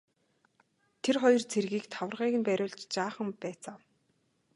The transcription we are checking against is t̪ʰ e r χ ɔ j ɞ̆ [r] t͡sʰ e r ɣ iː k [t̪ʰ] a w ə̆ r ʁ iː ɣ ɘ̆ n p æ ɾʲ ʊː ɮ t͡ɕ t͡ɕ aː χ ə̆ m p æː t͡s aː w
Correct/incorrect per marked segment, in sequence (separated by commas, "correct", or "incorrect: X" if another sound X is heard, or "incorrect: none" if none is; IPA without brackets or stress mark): correct, correct